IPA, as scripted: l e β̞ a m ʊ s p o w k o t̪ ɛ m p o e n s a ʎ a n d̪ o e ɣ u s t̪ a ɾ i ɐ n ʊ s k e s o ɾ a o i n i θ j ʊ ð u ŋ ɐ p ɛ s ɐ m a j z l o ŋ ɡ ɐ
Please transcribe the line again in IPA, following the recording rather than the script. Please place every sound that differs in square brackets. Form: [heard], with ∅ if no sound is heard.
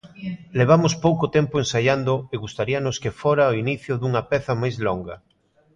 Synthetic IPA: l e β̞ a m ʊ s p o w k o t̪ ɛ m p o e n s a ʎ a n d̪ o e ɣ u s t̪ a ɾ i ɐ n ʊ s k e [f] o ɾ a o i n i θ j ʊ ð u ŋ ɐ p ɛ [θ] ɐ m a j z l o ŋ ɡ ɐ